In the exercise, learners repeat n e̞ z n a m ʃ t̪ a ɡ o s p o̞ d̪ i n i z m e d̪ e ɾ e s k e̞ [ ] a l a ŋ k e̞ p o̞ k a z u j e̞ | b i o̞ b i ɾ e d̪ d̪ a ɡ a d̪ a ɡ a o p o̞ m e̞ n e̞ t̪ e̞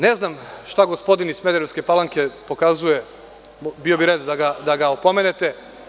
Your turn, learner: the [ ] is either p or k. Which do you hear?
p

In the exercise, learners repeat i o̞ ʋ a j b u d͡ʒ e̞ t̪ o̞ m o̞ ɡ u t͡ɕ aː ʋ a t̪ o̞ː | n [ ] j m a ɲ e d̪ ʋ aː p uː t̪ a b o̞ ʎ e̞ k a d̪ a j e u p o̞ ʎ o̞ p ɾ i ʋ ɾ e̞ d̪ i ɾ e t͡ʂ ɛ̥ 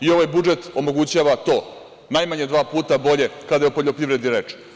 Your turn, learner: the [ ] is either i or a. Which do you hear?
a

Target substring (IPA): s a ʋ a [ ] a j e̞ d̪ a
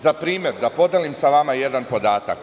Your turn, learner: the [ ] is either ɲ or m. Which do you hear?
m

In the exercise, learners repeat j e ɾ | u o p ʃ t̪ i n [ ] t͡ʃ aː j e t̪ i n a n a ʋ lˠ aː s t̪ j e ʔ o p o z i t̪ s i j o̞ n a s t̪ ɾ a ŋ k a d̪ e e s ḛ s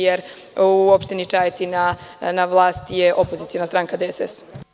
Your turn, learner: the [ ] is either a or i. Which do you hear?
i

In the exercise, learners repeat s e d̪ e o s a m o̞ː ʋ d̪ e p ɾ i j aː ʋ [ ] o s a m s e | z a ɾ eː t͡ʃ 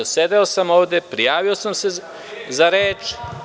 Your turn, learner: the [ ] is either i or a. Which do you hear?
i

